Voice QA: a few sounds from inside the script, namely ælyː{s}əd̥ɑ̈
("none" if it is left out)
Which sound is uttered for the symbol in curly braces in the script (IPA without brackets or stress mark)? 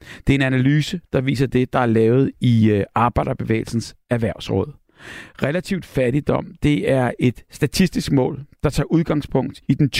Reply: s